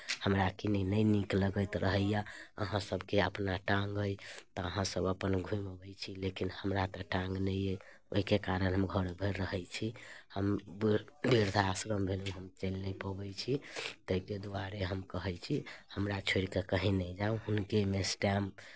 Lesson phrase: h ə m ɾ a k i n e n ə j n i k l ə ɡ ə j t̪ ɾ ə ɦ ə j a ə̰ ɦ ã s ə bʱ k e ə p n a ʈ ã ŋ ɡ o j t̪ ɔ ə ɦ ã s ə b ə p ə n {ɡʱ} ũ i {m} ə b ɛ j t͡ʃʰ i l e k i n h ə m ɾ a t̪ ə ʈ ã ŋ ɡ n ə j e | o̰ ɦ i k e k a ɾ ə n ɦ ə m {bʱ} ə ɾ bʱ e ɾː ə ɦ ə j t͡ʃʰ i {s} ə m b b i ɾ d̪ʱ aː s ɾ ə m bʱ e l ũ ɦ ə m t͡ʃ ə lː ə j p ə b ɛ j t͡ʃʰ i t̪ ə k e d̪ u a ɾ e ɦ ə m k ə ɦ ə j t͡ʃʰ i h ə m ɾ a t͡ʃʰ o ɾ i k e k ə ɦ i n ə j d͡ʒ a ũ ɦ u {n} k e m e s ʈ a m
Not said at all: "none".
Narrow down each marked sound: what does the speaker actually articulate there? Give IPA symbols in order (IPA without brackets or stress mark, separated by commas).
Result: ɡʱ, m, ɡʱ, h, n